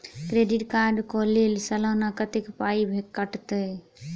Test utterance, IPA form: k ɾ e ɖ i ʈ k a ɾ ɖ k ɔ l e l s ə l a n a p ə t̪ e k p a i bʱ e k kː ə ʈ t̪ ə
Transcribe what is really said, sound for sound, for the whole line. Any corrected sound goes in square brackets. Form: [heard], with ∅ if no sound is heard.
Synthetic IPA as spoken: k ɾ e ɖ i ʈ k a ɾ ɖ k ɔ l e l s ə l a n a [k] ə t̪ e k p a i bʱ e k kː ə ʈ t̪ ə